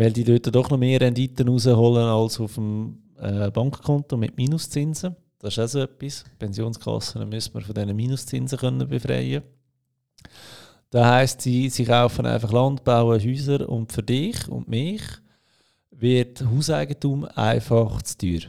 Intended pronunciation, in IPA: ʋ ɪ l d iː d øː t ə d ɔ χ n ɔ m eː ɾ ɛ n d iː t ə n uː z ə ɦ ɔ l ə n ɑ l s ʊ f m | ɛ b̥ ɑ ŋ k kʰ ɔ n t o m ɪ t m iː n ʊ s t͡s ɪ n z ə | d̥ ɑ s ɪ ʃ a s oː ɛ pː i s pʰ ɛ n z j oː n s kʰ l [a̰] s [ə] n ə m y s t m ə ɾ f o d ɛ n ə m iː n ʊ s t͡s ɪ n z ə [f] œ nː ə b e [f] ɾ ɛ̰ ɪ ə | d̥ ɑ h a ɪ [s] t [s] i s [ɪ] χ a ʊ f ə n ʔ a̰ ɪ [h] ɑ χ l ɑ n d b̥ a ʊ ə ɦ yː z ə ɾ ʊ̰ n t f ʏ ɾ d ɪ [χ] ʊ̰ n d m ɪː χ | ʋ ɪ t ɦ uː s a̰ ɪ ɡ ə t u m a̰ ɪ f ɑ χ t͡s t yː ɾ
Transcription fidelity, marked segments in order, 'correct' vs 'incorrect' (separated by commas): incorrect, correct, incorrect, correct, correct, correct, incorrect, incorrect, correct